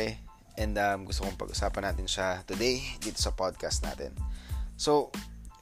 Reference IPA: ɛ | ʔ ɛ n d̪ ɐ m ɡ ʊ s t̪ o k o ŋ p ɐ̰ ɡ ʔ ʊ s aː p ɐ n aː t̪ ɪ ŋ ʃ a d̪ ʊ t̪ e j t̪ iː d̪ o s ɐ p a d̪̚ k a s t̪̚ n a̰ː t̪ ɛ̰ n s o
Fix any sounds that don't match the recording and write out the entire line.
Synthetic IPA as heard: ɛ | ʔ ɛ n d̪ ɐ m ɡ ʊ s t̪ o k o ŋ p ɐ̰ ɡ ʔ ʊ s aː p ɐ n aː t̪ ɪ n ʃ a t̪ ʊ d̪ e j d̪ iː t̪ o s ɐ p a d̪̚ k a s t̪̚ n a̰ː t̪ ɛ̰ n s o